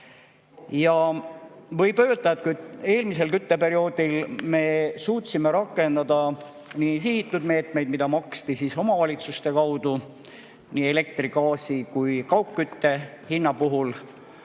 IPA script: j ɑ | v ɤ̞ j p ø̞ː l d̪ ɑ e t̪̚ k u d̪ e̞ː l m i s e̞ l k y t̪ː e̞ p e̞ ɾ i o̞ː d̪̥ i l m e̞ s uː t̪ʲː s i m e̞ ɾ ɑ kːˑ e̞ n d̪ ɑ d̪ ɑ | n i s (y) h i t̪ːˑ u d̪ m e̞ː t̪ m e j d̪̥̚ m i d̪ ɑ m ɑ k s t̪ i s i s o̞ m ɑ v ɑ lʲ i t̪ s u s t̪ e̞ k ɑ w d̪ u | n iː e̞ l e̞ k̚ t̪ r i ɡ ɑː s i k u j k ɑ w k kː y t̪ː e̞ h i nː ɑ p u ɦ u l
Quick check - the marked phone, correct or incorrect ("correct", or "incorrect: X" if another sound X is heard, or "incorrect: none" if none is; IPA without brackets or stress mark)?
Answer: incorrect: i